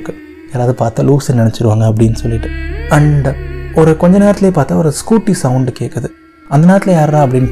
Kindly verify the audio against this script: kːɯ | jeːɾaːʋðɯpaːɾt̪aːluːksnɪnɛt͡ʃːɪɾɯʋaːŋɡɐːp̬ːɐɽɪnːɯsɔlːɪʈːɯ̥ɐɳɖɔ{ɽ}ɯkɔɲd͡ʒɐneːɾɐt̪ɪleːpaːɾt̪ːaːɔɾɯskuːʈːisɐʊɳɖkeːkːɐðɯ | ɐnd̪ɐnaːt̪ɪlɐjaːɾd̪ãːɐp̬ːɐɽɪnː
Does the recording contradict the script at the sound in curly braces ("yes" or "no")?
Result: yes